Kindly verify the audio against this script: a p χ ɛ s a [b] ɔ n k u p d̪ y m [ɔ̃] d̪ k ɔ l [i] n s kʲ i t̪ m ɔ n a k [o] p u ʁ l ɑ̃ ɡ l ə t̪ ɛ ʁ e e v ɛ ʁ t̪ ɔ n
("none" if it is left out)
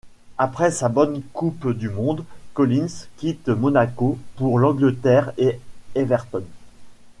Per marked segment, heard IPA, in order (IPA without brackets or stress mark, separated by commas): b, ɔ̃, i, o